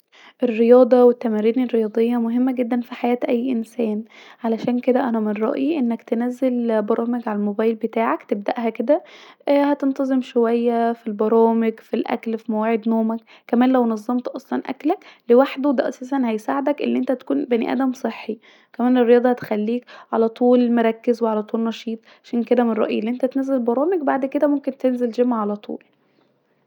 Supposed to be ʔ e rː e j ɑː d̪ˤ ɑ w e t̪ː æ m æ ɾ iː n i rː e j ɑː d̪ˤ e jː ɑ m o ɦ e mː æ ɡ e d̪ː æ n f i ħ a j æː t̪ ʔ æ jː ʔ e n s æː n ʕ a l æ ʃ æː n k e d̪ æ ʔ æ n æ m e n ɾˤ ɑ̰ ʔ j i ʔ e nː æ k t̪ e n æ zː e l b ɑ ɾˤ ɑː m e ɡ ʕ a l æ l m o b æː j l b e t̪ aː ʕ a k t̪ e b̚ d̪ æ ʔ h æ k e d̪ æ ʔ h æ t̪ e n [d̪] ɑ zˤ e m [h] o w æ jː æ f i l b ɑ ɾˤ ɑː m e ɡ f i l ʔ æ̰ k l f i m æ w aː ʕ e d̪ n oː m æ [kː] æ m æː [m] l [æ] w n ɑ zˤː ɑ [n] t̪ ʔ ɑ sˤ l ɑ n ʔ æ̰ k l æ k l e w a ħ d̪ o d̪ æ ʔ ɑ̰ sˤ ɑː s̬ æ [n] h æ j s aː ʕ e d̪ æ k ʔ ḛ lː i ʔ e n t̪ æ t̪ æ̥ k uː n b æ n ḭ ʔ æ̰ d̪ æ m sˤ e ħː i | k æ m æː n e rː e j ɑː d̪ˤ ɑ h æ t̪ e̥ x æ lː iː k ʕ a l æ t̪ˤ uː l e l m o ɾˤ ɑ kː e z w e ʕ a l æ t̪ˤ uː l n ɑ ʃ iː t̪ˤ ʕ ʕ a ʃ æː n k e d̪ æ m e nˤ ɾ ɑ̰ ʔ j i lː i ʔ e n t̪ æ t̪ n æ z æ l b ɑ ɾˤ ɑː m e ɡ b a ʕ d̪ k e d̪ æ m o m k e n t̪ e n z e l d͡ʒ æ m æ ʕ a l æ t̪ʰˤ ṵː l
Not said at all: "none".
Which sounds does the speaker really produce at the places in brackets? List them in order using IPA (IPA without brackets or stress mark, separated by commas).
t̪, ʃ, kː, n, æ, m, n